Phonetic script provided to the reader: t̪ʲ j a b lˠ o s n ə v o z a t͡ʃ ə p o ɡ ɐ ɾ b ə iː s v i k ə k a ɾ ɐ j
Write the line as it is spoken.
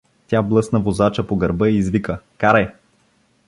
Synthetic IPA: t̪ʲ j a b lˠ ɤ s n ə v o z a t͡ʃ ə p o ɡ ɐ ɾ b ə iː z v i k ə k a ɾ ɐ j